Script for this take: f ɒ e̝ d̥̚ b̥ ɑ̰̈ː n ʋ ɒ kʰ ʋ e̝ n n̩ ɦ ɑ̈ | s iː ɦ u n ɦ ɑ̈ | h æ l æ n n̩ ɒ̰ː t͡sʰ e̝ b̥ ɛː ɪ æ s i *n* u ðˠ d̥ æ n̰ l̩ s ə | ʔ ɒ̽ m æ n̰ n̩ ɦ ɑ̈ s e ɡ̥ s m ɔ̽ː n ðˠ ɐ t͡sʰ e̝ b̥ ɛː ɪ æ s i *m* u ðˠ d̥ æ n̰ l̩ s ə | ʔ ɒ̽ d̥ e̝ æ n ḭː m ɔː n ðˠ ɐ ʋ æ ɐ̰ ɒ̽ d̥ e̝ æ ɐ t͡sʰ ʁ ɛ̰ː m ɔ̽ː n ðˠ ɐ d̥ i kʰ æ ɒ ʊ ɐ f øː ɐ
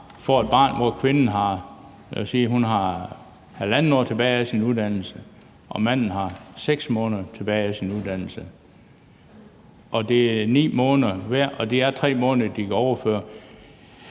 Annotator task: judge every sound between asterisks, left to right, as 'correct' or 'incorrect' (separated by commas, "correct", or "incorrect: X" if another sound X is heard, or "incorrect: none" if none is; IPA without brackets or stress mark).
correct, incorrect: n